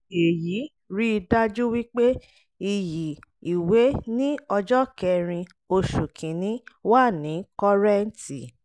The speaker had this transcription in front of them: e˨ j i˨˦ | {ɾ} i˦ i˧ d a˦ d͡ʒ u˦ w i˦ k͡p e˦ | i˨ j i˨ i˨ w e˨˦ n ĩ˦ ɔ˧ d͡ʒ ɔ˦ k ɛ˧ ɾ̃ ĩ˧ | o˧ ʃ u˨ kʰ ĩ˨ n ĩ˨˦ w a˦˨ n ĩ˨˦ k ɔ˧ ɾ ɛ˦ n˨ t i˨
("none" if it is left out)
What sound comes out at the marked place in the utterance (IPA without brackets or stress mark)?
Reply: ɾ